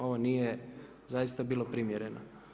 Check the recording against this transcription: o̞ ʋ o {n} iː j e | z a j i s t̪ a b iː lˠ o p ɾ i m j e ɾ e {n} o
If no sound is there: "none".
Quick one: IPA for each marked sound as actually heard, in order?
n, n

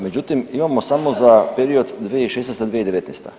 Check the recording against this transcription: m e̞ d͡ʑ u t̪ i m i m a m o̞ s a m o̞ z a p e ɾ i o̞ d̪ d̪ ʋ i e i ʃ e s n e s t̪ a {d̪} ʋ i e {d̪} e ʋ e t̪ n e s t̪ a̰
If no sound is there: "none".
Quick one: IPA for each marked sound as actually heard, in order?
d̪, d̪

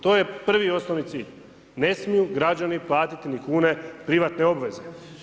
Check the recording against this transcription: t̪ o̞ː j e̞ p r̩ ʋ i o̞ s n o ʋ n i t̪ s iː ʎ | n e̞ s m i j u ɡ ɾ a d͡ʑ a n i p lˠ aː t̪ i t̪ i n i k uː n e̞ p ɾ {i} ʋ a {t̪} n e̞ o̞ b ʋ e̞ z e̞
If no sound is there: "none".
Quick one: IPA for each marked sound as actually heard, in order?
i, t̪

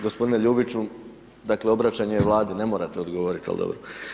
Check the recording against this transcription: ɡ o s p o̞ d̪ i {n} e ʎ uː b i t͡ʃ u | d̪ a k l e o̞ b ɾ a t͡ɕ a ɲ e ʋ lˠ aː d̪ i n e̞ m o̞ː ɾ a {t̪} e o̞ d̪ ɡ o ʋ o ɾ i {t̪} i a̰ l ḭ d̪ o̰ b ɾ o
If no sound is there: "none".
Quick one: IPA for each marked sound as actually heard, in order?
n, t̪, t̪

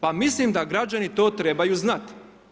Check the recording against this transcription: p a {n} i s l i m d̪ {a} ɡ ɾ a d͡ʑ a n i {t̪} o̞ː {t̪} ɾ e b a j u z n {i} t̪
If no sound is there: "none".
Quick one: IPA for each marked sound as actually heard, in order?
m, a, t̪, t̪, a

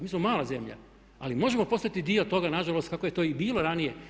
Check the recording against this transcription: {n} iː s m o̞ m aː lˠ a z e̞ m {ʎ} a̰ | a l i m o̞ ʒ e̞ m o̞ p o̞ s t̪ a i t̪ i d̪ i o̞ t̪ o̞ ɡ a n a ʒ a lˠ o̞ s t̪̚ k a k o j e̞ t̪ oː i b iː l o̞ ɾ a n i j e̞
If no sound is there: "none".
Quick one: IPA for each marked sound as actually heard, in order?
m, ʎ

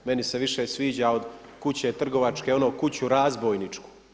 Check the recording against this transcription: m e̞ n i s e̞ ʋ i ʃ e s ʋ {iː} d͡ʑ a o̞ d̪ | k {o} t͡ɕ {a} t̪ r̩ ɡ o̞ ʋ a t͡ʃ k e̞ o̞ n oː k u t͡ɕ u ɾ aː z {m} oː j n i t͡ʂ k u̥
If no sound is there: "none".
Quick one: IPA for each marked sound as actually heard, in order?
iː, u, e, b

